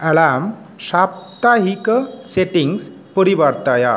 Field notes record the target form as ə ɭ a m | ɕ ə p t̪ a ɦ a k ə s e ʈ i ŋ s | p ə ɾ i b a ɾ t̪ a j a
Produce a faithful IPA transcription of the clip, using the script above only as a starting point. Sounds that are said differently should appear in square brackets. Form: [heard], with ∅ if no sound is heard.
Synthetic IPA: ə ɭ a m | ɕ [a] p t̪ a ɦ [i] k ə s e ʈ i ŋ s | p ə ɾ i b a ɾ t̪ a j a